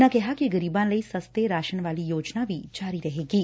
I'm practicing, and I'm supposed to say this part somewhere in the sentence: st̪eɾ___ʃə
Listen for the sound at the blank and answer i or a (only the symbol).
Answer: a